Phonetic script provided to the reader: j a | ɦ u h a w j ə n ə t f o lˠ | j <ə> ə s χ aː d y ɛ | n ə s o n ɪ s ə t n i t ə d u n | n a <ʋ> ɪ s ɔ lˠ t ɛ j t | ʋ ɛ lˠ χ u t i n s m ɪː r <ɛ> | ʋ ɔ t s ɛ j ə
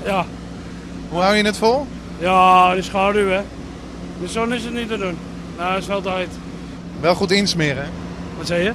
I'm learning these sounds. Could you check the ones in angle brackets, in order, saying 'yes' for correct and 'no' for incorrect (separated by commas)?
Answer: no, no, yes